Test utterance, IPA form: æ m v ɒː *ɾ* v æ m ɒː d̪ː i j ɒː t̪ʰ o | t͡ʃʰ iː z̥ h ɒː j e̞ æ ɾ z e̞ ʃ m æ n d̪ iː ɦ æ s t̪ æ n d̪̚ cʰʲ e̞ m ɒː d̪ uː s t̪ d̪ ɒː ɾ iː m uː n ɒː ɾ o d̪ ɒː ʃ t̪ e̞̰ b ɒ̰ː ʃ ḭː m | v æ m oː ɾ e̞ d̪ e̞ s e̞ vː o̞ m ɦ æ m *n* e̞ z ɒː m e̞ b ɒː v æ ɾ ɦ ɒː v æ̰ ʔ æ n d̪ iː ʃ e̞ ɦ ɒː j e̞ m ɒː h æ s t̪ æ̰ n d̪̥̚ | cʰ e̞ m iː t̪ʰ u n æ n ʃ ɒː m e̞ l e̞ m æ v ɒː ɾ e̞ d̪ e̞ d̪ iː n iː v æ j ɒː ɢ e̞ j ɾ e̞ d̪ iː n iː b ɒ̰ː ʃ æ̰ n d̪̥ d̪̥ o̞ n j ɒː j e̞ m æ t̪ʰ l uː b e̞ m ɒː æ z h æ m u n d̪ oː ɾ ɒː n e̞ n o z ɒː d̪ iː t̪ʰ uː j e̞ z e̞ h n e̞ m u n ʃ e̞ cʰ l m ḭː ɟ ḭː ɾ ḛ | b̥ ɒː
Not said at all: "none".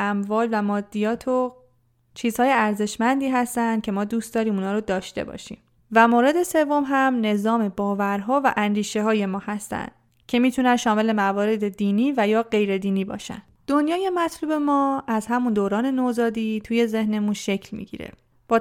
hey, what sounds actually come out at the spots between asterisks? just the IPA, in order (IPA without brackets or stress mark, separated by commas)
l, n